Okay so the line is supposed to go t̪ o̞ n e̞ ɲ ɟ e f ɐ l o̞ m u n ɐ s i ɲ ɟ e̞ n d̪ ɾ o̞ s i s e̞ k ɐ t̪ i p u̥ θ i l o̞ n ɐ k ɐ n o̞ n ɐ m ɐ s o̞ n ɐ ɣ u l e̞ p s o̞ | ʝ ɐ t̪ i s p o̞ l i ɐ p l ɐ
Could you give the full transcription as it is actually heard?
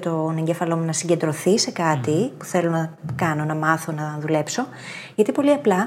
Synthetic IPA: t̪ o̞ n e̞ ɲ ɟ e f ɐ l o̞ m u n ɐ s i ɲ ɟ e̞ n d̪ ɾ o̞ θ i s e̞ k ɐ t̪ i p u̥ θ e l o̞ n ɐ k ɐ n o̞ n ɐ m ɐ θ o̞ n ɐ ð u l e̞ p s o̞ | ʝ ɐ t̪ i p o̞ l i ɐ p l ɐ